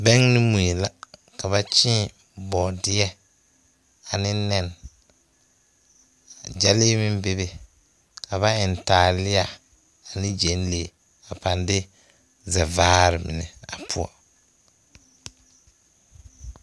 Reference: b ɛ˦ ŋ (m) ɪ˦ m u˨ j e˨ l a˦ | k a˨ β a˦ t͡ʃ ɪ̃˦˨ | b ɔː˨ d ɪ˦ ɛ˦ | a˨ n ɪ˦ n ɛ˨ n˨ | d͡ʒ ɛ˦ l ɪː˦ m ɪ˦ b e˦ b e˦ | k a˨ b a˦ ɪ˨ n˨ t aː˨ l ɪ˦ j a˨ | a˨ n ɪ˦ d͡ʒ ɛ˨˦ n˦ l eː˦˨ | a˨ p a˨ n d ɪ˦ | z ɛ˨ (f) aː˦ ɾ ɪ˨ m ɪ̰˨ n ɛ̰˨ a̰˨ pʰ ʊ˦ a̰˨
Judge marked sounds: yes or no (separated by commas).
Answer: no, no